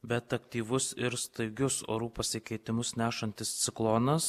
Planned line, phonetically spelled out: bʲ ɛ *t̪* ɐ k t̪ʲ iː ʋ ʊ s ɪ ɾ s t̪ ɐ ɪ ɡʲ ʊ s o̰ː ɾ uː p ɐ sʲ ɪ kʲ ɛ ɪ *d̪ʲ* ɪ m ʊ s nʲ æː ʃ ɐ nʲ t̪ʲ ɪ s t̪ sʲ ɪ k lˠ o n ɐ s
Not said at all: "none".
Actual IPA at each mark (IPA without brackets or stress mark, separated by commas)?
t̪, t̪ʲ